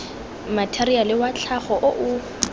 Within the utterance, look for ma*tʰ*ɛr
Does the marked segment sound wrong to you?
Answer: no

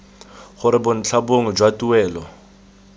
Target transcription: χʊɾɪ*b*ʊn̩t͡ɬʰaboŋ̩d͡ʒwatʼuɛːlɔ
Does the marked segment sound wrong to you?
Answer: no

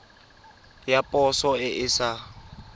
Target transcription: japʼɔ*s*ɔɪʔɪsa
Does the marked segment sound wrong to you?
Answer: no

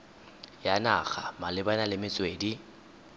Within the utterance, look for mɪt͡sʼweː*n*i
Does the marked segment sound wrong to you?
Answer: yes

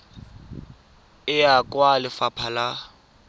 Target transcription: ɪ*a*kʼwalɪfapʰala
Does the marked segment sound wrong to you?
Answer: no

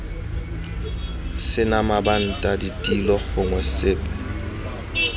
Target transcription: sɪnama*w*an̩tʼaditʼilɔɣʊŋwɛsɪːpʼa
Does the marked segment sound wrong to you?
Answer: yes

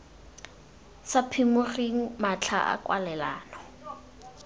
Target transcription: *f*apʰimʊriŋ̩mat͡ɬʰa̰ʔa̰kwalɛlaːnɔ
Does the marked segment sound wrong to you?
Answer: yes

